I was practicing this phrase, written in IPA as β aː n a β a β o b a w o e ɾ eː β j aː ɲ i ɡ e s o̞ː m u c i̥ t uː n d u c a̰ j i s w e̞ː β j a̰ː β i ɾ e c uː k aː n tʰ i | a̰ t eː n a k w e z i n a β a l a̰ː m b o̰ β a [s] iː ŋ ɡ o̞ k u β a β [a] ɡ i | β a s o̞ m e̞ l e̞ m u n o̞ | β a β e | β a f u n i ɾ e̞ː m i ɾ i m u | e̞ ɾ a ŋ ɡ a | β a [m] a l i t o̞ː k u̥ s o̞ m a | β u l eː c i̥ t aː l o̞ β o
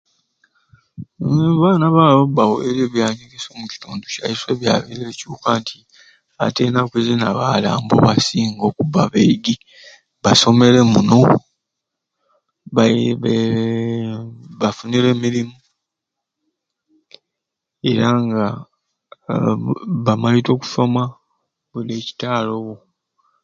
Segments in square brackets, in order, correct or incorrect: correct, incorrect: e, correct

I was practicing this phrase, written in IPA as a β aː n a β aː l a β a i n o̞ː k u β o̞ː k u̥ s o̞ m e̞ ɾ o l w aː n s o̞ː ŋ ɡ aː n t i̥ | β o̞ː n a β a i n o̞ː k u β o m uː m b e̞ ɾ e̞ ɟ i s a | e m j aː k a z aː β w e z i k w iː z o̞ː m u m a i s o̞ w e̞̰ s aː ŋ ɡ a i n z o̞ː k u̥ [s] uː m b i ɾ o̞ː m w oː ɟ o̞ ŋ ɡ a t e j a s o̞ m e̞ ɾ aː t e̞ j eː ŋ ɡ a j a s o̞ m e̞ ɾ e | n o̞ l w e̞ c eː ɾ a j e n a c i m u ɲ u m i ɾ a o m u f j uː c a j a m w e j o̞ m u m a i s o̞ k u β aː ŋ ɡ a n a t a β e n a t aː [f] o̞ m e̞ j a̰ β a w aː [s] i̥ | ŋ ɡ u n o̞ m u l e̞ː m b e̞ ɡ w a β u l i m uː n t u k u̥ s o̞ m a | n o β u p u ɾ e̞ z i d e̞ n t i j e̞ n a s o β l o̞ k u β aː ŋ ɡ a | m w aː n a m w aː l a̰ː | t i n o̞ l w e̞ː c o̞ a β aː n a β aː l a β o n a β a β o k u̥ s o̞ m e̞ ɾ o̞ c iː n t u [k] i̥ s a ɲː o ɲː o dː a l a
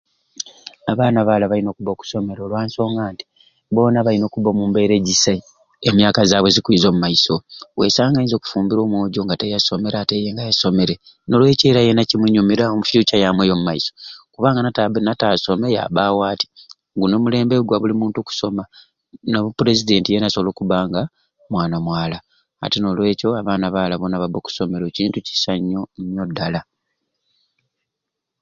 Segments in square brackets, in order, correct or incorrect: incorrect: f, incorrect: s, incorrect: t, incorrect: c

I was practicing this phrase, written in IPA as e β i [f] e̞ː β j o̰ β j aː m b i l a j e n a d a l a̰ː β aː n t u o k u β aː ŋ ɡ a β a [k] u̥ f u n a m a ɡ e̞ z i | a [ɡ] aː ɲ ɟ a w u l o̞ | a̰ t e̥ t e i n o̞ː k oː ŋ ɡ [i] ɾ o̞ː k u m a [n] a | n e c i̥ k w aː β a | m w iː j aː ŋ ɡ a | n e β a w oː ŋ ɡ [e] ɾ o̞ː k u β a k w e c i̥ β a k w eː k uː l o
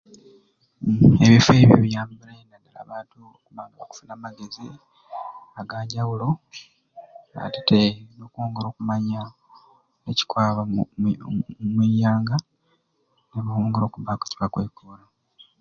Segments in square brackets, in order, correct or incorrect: correct, correct, correct, incorrect: e, incorrect: ɲ, correct

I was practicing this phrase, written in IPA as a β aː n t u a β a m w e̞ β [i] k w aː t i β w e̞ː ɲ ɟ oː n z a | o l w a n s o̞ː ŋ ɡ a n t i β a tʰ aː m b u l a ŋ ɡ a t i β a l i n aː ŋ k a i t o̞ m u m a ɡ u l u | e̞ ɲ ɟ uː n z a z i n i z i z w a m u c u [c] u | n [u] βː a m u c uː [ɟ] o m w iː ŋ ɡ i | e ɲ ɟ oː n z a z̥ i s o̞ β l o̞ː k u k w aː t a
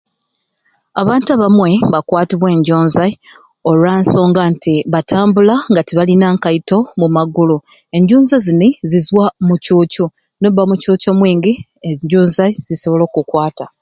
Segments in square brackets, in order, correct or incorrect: incorrect: a, correct, incorrect: o, incorrect: c

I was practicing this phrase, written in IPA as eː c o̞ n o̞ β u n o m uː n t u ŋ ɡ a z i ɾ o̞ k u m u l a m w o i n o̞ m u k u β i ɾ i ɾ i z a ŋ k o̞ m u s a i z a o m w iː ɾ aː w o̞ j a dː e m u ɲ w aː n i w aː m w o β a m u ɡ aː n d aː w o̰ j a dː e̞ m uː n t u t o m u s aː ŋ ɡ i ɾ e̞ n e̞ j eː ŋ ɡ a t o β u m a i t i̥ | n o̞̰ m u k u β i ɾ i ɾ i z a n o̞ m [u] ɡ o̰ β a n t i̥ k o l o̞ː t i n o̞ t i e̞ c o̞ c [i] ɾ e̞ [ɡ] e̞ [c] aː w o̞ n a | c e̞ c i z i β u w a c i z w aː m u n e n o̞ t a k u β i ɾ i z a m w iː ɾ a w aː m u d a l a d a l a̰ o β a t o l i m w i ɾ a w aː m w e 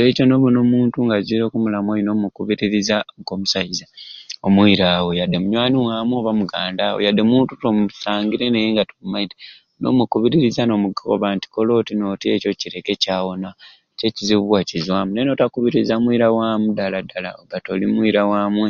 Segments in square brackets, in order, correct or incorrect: correct, correct, incorrect: k, correct

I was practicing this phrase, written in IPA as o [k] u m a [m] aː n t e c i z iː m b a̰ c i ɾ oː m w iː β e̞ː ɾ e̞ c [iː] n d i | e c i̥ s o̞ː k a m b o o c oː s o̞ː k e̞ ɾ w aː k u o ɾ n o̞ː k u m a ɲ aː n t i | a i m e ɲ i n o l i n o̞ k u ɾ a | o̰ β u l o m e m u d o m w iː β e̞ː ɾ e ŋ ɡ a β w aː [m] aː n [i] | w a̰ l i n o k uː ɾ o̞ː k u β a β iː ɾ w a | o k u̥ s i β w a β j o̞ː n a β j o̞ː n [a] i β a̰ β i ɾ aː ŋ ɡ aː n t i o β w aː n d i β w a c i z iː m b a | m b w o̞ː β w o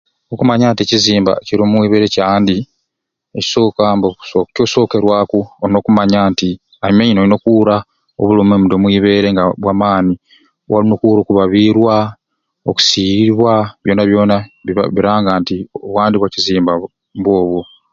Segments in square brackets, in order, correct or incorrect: correct, incorrect: ɲ, incorrect: aː, correct, correct, correct

